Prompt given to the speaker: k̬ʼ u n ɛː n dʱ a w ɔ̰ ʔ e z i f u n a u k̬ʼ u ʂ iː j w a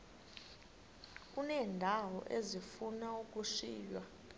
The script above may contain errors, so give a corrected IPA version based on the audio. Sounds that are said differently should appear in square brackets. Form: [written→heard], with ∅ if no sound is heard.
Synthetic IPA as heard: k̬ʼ u n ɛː n dʱ a w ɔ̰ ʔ e z i f u n a u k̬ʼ u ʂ iː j w a